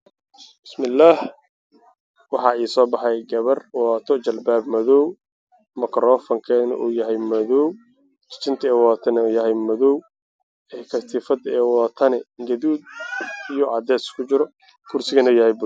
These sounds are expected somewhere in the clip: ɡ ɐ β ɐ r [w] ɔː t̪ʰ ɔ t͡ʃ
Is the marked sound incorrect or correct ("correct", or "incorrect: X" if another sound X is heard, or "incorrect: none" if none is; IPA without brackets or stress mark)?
correct